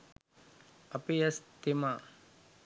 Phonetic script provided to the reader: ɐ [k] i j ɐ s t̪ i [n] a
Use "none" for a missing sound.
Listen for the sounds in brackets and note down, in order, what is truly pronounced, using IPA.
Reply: p, m

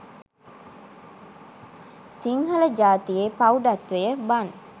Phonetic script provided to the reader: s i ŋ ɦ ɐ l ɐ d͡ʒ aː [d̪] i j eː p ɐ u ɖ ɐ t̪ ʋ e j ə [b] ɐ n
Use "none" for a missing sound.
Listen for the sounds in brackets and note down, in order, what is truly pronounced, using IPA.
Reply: t̪, b

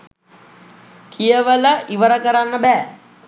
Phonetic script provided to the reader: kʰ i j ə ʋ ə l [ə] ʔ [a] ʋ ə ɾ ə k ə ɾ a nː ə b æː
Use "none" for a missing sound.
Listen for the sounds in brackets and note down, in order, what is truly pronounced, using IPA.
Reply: ə, i

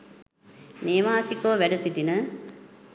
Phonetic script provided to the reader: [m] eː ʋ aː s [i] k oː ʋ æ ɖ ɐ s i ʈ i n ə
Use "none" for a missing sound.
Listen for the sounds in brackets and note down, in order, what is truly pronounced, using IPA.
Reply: n, i

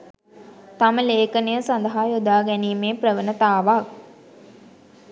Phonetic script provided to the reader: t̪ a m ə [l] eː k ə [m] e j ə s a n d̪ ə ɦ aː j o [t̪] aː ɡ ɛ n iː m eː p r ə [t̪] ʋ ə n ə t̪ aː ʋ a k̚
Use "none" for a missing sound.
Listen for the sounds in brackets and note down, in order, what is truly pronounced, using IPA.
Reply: l, n, d̪, none

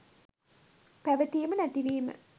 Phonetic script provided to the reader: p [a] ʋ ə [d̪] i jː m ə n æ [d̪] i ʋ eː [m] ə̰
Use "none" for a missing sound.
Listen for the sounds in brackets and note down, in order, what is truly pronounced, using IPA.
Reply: æ, t̪, t̪, m

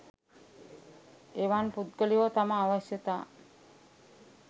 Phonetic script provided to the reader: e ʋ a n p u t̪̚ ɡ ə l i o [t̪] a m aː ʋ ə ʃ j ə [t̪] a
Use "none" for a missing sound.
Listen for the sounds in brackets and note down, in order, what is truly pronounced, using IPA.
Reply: t̪, t̪

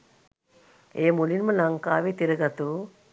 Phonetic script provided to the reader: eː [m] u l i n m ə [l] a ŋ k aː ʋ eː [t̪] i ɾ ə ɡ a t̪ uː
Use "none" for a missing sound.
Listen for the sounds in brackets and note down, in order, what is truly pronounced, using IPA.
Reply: m, l, t̪

